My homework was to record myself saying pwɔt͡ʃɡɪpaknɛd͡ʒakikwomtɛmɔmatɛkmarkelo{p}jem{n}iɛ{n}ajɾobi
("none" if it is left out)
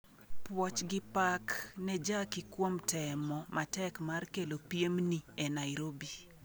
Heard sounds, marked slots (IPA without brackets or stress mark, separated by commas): p, n, n